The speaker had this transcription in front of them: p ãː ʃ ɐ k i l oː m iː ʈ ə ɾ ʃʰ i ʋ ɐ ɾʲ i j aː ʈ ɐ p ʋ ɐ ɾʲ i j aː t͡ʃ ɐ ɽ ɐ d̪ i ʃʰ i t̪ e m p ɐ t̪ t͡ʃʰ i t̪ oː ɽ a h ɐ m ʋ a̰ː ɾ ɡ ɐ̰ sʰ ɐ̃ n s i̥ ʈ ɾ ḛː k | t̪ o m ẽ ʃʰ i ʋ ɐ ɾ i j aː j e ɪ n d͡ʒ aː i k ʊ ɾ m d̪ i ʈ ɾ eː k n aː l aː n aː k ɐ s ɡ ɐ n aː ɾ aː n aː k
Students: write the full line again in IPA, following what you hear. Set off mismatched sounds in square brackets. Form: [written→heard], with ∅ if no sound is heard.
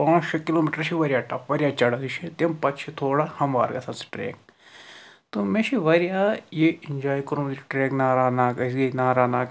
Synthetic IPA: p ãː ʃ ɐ k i l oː m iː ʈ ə ɾ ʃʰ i ʋ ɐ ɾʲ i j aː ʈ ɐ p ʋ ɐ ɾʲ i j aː t͡ʃ ɐ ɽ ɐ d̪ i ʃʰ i t̪ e m p ɐ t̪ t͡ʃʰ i [t̪→t̪ʰ] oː ɽ a h ɐ m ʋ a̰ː ɾ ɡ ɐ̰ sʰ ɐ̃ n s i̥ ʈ ɾ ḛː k | t̪ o m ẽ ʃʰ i ʋ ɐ ɾ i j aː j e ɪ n d͡ʒ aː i k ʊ ɾ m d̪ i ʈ ɾ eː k n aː [l→ɾ] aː n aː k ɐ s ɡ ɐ n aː ɾ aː n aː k